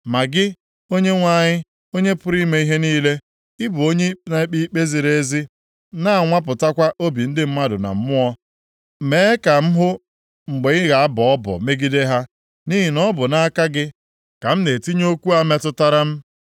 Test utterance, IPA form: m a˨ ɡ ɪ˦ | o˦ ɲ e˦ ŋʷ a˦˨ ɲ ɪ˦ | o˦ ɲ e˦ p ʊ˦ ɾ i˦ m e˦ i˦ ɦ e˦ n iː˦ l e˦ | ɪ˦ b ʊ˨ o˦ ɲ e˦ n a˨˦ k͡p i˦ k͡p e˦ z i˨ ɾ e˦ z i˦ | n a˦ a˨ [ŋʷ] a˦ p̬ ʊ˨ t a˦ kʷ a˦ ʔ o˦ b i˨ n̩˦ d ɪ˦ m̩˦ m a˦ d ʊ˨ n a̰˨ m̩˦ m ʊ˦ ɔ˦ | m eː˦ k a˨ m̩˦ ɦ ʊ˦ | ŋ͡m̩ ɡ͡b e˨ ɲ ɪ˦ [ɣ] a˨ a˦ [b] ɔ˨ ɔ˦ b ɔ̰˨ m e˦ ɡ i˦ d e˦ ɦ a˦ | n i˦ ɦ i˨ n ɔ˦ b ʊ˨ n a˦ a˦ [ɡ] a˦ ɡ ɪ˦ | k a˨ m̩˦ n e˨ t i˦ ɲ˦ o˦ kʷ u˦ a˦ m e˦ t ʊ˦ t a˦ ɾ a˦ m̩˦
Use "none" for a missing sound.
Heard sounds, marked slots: ŋʷ, ɣ, b, k

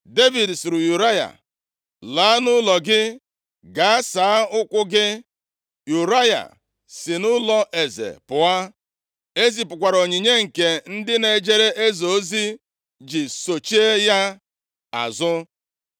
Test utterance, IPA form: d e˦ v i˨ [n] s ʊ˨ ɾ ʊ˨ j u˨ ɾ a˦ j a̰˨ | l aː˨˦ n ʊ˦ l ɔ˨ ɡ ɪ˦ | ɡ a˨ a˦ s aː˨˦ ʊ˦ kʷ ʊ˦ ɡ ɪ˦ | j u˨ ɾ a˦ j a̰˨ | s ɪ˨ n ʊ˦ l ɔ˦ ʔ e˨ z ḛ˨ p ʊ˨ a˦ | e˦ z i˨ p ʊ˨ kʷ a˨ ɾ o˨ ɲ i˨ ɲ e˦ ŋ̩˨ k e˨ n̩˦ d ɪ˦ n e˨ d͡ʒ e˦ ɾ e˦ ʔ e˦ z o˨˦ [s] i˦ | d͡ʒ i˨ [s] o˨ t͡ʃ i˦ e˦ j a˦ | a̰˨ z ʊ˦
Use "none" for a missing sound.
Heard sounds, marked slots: d, z, s

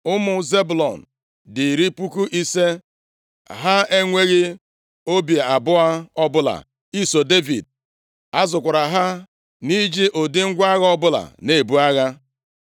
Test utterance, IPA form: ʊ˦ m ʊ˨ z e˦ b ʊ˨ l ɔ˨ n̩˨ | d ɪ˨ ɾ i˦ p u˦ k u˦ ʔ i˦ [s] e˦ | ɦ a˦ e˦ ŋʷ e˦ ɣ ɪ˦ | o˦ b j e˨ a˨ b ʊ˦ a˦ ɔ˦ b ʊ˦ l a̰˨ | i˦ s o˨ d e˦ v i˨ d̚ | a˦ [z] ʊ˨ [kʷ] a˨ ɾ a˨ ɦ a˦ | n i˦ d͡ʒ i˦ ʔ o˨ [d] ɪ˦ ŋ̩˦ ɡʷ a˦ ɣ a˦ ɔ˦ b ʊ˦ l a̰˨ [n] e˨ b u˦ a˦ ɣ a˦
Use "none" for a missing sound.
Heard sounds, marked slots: s, z, kʷ, d, n

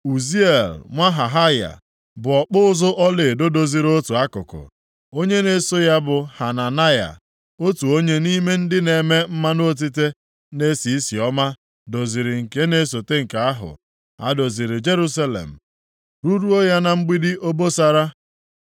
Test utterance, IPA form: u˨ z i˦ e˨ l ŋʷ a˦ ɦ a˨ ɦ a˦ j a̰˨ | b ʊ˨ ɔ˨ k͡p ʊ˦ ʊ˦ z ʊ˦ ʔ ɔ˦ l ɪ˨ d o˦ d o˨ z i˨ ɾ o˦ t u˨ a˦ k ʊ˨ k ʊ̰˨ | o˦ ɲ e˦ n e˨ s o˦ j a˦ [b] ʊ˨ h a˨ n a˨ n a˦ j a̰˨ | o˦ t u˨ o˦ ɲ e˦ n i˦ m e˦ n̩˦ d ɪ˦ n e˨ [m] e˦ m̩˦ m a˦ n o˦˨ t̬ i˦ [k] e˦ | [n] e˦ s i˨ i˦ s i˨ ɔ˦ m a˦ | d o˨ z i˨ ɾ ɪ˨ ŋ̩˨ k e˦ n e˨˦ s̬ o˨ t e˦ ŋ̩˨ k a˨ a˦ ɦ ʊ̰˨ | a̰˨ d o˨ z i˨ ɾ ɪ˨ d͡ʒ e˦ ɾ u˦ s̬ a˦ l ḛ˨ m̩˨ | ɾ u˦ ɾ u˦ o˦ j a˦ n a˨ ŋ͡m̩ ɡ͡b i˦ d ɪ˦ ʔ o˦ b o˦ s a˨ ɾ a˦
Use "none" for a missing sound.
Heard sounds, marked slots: b, m, t, n

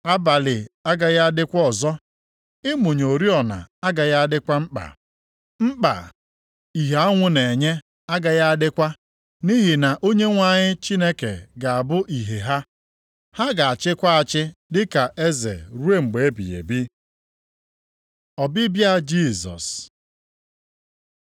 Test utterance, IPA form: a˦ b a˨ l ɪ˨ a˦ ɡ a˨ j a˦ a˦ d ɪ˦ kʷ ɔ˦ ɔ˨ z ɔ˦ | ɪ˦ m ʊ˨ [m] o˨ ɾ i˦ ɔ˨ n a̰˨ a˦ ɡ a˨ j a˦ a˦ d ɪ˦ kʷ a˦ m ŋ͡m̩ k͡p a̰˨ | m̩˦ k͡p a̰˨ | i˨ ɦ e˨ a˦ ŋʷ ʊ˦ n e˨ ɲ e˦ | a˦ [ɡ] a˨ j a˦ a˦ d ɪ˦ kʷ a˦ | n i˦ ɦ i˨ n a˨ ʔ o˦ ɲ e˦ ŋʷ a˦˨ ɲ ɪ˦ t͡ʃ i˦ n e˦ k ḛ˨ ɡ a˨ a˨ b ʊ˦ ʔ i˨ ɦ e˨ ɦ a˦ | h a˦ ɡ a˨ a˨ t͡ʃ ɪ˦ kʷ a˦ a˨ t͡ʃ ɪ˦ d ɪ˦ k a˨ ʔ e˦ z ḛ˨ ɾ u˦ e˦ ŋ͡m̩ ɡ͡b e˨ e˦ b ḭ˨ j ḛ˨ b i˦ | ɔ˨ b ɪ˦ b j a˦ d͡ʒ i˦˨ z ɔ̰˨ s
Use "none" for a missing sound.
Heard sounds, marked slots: ɲ, ɡ

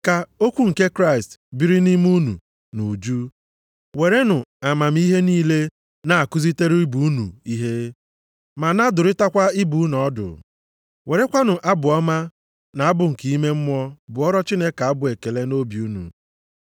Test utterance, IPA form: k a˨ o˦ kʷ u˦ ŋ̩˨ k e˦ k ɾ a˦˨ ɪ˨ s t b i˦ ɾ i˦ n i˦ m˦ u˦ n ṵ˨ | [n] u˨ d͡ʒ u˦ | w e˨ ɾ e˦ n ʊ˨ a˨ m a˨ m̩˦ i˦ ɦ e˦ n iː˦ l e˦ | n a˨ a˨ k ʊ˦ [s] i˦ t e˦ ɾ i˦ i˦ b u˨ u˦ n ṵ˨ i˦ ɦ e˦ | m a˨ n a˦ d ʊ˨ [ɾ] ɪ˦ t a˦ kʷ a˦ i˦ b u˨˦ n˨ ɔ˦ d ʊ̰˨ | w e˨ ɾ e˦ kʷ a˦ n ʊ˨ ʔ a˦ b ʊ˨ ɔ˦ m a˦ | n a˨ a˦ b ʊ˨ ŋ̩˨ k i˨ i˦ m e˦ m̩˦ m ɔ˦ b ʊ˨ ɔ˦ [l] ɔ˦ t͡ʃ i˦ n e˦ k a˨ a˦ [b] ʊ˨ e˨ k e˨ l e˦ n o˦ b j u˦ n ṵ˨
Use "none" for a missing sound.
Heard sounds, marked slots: n, z, ɾ, ɾ, b

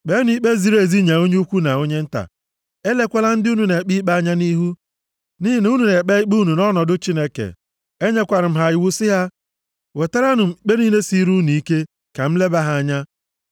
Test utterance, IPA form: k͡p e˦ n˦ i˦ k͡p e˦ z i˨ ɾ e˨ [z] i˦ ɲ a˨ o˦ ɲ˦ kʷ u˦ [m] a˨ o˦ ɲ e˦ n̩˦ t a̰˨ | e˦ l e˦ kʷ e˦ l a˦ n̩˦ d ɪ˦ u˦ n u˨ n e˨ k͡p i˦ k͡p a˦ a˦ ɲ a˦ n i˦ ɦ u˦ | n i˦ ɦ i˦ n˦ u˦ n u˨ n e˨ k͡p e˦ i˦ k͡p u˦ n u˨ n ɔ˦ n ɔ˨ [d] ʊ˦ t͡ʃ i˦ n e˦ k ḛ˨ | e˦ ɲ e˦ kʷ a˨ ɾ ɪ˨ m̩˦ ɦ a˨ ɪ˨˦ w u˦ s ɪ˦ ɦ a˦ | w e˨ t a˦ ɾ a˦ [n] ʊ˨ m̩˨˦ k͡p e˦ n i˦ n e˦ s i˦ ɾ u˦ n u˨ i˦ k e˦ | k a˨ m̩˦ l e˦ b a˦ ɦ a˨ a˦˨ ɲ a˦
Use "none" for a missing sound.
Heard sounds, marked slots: z, n, d, n

